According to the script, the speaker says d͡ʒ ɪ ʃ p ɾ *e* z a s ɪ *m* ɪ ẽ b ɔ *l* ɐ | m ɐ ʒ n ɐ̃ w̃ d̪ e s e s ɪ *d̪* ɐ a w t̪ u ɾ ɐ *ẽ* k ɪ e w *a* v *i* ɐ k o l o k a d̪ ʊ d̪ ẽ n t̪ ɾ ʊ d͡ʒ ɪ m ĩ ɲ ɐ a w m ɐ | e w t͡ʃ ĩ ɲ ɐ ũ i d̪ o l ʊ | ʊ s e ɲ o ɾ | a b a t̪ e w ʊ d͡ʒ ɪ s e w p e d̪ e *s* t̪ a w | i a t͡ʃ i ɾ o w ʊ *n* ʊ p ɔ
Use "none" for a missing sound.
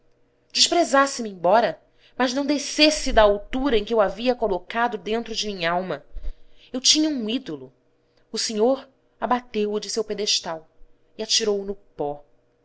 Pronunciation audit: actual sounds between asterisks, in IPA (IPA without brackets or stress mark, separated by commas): e, m, ɾ, d̪, ẽ, a, i, ʃ, n